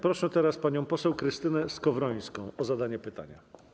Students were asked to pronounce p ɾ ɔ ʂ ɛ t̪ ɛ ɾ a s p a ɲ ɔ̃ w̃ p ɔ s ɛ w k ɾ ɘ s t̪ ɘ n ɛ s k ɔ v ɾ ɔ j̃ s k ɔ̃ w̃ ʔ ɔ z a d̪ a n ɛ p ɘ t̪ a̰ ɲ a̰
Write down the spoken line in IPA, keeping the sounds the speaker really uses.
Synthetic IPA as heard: p ɾ ɔ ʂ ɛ t̪ ɛ ɾ a s p a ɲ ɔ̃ w̃ p ɔ s ɛ w k ɾ ɘ s t̪ ɘ n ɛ s k ɔ v ɾ ɔ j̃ s k ɔ̃ w̃ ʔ ɔ z a d̪ a ɲ ɛ p ɘ t̪ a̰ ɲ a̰